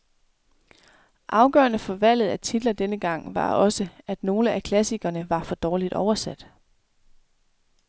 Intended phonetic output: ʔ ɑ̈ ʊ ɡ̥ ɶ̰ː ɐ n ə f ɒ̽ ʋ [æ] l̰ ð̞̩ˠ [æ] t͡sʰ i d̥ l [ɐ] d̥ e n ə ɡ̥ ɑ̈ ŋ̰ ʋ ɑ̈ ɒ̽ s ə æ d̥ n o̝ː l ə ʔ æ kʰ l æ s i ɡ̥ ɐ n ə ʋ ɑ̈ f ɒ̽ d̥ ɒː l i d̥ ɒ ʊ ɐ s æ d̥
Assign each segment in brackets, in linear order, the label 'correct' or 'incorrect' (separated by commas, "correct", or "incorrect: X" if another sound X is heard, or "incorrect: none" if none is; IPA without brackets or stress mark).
correct, correct, correct